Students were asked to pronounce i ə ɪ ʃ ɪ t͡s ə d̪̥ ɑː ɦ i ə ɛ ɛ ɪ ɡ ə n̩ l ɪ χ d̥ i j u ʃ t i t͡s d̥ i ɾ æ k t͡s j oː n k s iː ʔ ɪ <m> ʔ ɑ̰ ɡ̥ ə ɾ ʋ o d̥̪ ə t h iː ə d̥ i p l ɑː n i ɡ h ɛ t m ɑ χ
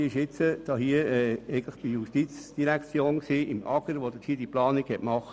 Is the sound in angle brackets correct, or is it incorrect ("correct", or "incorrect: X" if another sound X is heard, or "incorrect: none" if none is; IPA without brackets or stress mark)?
correct